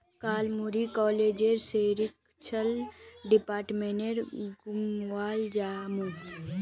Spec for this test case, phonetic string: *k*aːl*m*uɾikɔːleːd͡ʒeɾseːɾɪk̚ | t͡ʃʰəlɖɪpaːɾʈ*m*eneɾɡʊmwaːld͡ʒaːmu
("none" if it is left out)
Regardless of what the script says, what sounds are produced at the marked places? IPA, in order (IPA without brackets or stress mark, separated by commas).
k, m, m